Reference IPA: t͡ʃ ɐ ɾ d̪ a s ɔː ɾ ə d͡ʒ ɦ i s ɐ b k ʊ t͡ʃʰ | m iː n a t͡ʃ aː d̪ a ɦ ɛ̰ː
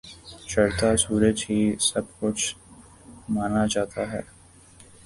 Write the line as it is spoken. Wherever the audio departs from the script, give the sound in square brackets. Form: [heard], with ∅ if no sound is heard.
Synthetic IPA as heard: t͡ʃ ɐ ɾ [t̪] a s [uː] ɾ ə d͡ʒ ɦ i s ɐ b k ʊ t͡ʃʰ | m [aː] n a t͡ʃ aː [t̪] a ɦ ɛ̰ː

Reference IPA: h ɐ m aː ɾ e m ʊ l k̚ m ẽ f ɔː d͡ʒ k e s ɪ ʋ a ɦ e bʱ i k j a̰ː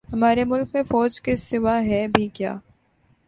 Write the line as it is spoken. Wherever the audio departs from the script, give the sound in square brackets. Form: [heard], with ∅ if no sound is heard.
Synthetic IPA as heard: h ɐ m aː ɾ e m ʊ l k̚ m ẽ f ɔː d͡ʒ k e s ɪ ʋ a ɦ [ɛ] bʱ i k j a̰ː

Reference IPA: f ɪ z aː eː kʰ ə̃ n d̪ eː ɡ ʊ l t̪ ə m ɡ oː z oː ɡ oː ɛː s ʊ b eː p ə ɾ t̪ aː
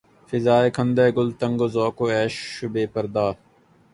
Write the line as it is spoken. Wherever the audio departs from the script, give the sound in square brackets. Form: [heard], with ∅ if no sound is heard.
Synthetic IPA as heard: f ɪ z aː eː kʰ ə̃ n d̪ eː ɡ ʊ l t̪ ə [ŋ] ɡ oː z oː [k] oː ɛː [ʃ] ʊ b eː p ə ɾ [d̪] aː

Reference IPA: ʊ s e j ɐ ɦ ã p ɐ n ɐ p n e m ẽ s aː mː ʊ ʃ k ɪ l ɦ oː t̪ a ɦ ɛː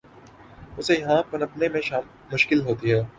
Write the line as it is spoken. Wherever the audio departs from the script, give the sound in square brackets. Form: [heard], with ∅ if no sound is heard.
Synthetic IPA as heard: ʊ s e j ɐ ɦ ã p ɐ n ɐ p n e m ẽ [ʃ] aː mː ʊ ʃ k ɪ l ɦ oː t̪ [i] ɦ ɛː

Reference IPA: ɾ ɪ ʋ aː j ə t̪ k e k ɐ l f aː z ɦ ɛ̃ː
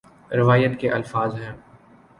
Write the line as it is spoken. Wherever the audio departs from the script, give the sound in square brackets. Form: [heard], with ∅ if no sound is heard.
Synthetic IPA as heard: ɾ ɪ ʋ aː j ə t̪ k e [ʔ] ɐ l f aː z ɦ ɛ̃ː

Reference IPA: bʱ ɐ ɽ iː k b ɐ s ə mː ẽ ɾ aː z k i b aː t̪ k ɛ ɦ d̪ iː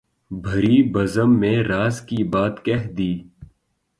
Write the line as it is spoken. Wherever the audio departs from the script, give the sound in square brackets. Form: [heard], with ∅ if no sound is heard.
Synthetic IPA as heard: bʱ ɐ [ɾ] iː [∅] b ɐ [z] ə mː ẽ ɾ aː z k i b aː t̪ k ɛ ɦ d̪ iː

